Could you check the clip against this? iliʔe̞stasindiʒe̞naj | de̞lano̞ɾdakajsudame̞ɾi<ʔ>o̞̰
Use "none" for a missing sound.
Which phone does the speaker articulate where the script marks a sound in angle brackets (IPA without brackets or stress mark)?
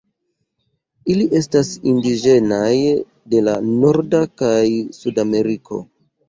k